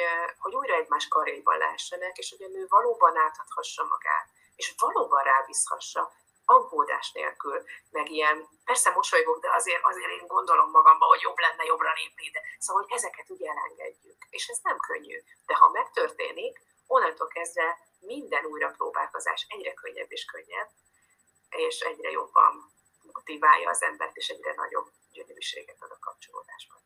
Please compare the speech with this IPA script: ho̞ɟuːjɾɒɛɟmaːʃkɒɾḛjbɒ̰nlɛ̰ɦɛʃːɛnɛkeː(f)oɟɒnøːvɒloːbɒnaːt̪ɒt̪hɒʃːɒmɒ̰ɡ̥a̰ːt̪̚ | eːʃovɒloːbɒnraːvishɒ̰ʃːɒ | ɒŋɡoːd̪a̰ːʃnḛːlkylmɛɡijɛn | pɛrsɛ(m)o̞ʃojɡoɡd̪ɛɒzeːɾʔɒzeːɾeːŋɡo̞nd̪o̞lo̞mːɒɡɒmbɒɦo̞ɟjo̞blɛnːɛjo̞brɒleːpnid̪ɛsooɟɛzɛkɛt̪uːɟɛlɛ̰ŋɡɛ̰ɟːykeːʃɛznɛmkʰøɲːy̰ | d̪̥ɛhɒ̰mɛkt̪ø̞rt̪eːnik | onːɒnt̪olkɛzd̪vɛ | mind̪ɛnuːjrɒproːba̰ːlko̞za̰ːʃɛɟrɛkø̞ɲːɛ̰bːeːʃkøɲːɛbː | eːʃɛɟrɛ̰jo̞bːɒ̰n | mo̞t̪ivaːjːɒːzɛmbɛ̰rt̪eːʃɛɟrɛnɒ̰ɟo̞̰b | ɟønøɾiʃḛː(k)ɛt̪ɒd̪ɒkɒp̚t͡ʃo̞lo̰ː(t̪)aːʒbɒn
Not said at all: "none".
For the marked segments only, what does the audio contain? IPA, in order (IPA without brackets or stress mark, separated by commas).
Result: ʃ, m, ɡ, d̪